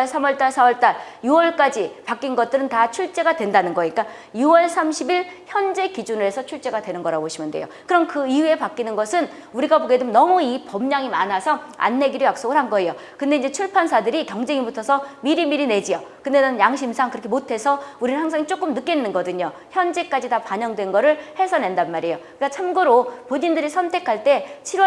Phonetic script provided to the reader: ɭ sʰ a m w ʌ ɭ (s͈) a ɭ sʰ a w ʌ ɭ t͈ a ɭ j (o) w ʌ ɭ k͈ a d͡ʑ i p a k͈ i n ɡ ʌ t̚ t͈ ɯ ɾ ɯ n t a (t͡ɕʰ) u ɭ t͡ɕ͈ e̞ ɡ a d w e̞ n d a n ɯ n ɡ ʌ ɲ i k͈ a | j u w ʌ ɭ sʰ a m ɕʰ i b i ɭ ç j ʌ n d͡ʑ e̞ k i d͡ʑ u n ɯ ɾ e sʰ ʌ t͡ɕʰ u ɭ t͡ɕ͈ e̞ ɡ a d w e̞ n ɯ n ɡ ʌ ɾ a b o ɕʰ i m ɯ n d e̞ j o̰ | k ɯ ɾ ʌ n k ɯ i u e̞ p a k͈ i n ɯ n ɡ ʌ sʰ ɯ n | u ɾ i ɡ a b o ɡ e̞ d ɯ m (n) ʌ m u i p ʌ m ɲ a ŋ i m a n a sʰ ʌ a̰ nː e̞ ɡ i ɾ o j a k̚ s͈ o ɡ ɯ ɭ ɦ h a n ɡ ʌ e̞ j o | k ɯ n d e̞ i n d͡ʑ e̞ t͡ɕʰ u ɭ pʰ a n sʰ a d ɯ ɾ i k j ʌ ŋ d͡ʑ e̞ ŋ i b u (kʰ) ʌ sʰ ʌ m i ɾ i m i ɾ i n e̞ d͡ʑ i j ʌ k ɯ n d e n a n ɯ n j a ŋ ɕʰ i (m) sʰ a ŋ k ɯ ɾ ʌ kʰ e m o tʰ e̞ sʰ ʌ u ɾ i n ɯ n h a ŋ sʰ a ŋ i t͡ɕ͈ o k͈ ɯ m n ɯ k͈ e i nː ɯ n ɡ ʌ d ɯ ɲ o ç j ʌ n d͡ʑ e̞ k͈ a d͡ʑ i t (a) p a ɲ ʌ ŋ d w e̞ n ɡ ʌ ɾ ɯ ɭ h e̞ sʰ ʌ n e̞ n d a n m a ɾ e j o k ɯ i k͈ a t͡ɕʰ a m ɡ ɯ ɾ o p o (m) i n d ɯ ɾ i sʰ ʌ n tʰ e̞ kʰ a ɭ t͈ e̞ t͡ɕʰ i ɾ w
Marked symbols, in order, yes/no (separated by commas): no, no, yes, yes, no, yes, yes, no